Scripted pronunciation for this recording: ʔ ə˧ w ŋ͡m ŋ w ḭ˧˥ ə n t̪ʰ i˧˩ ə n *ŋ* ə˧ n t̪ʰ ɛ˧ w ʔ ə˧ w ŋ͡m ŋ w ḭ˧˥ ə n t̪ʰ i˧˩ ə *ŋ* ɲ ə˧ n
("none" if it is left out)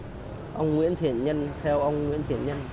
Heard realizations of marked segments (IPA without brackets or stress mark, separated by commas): ɲ, n